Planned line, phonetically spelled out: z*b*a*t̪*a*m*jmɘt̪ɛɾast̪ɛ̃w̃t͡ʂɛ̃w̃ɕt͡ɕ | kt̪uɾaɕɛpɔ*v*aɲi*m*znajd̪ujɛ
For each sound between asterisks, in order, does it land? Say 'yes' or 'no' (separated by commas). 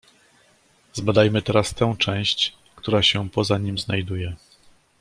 yes, no, no, no, yes